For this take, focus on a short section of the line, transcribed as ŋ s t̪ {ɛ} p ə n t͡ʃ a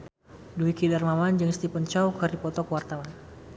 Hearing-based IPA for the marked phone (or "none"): i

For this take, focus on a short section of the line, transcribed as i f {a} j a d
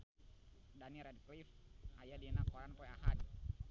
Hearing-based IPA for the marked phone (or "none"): a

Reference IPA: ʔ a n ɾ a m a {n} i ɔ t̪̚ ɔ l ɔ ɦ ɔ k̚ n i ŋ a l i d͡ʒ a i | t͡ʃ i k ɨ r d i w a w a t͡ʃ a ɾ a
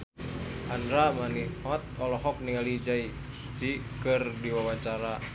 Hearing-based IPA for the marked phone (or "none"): n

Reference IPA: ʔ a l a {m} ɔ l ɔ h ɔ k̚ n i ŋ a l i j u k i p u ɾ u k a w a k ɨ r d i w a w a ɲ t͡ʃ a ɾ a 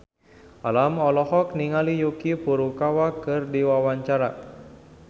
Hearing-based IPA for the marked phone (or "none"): m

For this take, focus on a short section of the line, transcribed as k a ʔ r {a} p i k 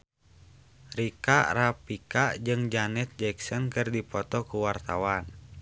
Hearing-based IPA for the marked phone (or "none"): a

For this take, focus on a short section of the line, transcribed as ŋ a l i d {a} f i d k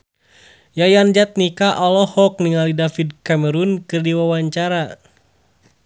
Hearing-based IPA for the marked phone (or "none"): a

